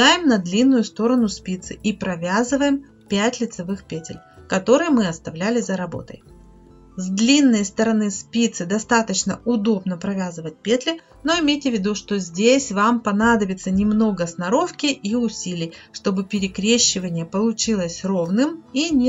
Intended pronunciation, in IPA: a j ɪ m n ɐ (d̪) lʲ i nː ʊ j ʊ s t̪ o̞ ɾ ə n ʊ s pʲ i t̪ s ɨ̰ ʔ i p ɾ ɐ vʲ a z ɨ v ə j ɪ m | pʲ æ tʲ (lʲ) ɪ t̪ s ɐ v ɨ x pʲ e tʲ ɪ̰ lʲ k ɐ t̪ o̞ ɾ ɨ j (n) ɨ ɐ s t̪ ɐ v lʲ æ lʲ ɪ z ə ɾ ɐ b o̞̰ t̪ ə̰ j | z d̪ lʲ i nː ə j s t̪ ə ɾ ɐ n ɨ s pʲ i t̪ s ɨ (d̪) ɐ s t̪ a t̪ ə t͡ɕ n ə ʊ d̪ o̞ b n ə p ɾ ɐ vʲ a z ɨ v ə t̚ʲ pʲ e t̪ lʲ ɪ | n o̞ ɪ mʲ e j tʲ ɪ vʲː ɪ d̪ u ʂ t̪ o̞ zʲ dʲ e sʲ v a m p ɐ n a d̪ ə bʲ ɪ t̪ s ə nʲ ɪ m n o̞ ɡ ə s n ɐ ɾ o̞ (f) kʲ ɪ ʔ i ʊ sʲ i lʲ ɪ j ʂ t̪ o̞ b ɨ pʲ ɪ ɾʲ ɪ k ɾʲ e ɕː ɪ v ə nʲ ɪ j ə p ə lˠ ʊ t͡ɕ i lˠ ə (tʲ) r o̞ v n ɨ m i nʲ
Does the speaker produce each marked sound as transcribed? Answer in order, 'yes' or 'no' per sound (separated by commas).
yes, yes, no, yes, yes, no